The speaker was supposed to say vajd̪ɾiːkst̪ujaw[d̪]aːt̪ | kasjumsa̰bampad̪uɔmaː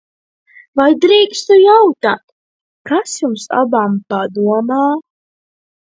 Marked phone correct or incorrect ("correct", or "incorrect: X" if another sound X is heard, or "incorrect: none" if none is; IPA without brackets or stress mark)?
incorrect: t̪